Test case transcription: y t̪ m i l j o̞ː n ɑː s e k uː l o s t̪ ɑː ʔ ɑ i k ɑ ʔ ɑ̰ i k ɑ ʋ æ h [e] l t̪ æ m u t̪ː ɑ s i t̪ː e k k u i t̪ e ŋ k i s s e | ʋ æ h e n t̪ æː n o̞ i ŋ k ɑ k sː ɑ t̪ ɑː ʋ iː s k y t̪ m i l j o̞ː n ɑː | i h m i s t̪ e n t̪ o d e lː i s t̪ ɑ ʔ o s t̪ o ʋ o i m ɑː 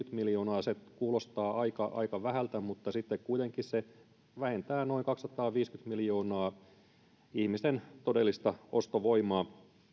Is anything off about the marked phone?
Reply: yes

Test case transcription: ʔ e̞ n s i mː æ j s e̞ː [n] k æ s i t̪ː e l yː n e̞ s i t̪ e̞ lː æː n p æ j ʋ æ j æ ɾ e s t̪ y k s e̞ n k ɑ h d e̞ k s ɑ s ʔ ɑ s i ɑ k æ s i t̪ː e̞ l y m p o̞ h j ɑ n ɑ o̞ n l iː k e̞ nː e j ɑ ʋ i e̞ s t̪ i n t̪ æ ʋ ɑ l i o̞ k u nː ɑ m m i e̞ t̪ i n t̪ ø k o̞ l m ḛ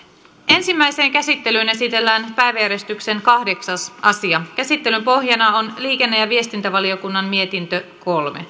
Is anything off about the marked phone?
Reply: yes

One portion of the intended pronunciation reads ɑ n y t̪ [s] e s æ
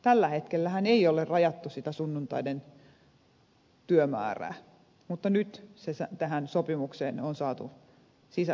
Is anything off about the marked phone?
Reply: no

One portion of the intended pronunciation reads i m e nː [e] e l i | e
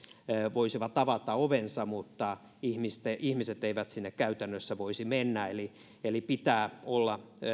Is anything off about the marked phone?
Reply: yes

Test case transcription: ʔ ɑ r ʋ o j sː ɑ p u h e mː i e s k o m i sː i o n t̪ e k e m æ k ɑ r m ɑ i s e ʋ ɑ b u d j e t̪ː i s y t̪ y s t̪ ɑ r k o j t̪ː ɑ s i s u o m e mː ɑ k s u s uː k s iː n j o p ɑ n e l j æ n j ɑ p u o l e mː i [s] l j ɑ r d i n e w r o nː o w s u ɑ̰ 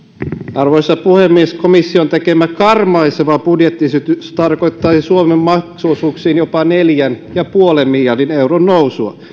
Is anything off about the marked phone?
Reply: yes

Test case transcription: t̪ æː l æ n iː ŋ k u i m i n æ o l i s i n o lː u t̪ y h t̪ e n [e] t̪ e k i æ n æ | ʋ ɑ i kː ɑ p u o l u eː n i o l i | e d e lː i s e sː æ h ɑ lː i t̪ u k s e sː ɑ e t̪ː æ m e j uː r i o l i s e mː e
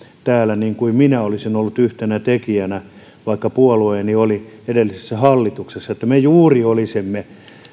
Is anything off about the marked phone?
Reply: yes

